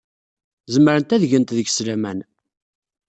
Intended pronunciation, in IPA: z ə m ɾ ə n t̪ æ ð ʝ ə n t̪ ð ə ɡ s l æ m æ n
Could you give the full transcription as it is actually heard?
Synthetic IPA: z ə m ɾ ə n t̪ æ ð ʝ ə n t̪ ð ə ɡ s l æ m æ n